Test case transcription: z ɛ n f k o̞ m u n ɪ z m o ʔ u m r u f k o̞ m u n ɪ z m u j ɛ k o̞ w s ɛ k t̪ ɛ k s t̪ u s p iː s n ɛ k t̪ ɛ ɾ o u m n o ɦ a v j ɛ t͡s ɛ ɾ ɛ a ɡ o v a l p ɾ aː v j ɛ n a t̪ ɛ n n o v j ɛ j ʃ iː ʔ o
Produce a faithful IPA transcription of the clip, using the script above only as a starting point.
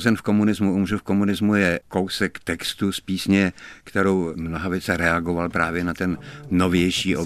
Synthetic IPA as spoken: z ɛ n f k o̞ m u n ɪ z m u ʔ u m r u f k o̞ m u n ɪ z m u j ɛ k o̞ w s ɛ k t̪ ɛ k s t̪ u s p iː s ɲ ɛ k t̪ ɛ ɾ o w m n o ɦ a v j ɛ t͡s ɛ ɾ ɛ a ɡ o v a l p ɾ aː v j ɛ n a t̪ ɛ n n o v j ɛ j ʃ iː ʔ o